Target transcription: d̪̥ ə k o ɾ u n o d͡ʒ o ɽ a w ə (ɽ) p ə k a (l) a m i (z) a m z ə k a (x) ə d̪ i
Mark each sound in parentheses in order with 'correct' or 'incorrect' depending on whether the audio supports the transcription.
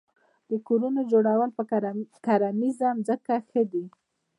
incorrect: l, incorrect: ɾ, correct, correct

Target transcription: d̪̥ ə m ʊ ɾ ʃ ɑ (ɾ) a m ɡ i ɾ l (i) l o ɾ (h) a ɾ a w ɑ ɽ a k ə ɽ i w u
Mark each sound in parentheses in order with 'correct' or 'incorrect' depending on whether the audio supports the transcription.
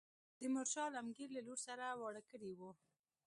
incorrect: l, incorrect: a, incorrect: s

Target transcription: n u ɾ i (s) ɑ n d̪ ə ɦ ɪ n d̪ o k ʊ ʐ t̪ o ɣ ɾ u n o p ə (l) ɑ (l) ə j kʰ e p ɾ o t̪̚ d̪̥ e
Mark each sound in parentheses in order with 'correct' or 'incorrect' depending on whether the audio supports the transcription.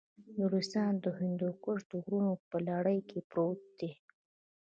correct, correct, incorrect: ɽ

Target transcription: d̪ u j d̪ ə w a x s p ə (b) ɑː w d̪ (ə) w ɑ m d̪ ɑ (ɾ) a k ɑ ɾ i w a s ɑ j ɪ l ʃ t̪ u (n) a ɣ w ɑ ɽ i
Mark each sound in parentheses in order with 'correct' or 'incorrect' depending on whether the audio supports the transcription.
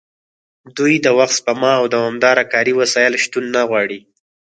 incorrect: m, incorrect: a, correct, incorrect: nː

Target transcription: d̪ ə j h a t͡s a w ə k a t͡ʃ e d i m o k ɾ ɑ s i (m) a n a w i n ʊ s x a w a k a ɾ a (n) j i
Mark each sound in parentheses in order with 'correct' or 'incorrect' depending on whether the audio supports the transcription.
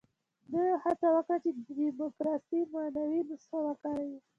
correct, incorrect: none

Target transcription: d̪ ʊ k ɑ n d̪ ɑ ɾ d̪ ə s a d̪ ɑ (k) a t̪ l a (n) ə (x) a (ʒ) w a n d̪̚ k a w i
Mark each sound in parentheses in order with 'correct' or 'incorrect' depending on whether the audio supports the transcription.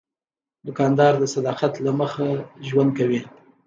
incorrect: q, incorrect: m, correct, correct

